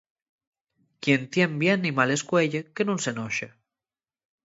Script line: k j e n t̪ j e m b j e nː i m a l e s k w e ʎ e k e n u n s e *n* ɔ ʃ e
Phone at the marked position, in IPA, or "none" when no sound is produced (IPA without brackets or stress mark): n